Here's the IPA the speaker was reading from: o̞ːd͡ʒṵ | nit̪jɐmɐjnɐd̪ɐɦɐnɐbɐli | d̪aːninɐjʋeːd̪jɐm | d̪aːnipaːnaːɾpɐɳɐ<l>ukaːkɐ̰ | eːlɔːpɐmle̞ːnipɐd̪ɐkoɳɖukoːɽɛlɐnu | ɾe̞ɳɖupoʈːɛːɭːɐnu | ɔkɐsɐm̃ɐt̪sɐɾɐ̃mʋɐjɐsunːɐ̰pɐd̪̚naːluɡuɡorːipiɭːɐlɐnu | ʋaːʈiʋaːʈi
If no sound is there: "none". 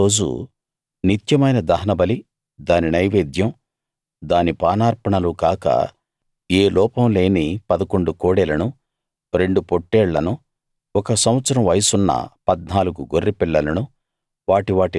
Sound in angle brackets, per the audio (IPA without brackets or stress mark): l